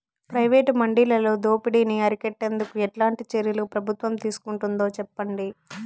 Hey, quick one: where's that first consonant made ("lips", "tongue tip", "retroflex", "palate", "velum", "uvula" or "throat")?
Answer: lips